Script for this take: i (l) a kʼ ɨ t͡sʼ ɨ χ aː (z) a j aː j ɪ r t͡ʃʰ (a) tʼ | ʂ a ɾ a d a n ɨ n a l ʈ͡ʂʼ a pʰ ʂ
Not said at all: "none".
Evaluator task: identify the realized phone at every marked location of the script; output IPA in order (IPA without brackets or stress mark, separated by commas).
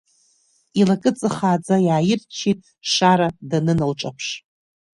l, d͡z, i